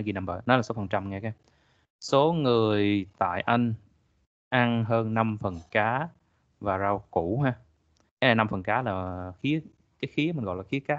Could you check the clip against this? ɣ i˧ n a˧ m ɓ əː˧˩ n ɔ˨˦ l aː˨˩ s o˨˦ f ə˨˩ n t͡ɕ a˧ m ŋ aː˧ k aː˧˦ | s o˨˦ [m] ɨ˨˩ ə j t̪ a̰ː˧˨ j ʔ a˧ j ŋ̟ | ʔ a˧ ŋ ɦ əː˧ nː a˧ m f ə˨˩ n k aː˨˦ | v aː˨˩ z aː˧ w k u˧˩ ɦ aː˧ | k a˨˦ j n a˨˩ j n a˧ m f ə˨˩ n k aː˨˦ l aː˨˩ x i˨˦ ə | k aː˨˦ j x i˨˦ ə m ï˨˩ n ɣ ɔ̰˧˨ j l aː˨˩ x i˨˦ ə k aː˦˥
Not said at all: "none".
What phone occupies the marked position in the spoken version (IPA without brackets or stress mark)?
ŋ